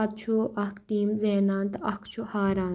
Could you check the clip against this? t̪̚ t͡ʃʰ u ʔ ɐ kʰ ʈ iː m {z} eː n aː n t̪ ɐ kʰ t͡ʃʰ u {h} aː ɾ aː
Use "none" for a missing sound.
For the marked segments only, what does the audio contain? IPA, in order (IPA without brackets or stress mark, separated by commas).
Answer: z, h